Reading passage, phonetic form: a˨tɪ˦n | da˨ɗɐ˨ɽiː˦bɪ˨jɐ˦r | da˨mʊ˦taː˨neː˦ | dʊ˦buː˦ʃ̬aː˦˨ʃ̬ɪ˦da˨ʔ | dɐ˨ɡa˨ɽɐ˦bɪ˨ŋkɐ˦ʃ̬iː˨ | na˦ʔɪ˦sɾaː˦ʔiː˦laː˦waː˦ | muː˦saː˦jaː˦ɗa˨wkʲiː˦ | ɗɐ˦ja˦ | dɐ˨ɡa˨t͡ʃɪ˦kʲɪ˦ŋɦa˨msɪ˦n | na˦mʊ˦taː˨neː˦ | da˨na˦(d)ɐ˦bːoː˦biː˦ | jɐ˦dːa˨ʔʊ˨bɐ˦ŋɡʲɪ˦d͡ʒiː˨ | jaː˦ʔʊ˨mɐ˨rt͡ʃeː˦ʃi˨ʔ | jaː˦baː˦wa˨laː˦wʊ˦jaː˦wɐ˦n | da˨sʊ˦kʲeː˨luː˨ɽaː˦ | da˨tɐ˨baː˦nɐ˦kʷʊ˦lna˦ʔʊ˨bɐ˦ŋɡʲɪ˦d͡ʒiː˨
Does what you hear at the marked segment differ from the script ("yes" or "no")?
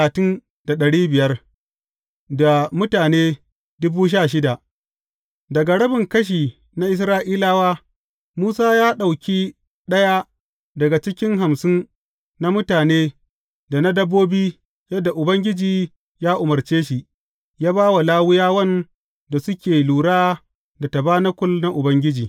no